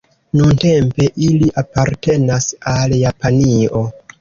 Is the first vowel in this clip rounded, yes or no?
yes